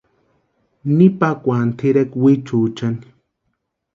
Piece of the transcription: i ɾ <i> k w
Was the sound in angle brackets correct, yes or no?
no